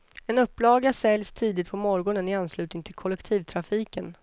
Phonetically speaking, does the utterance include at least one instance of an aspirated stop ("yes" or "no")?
yes